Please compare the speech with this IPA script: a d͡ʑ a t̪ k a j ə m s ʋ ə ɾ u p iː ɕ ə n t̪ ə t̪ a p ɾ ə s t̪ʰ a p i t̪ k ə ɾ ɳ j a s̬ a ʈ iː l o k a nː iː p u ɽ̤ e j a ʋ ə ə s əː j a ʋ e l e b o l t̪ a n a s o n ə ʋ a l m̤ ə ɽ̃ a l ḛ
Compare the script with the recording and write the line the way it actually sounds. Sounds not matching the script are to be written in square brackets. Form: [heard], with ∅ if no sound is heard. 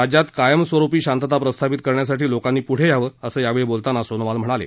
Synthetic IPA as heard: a d͡ʑ a t̪ k a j ə m s ʋ ə ɾ u p iː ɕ [a] n t̪ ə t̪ a p ɾ ə s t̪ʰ a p i t̪ k ə ɾ ɳ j a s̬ a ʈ iː l o k a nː iː p u ɽ̤ e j a ʋ ə ə s əː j a ʋ e [ɭ] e b o l t̪ a n a s o n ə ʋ a l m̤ ə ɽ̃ a l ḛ